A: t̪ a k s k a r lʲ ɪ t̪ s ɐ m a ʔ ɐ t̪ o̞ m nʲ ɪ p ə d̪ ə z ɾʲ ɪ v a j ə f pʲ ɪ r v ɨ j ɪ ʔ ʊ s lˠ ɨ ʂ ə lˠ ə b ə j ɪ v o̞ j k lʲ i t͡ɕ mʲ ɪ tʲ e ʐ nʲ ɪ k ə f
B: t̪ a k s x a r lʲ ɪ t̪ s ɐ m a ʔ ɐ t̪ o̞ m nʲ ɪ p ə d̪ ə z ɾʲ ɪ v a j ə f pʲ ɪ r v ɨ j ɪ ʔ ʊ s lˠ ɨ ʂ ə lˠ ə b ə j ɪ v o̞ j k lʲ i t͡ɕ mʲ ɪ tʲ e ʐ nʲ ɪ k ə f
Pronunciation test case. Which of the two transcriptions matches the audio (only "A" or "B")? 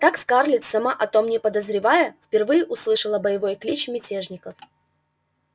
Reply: A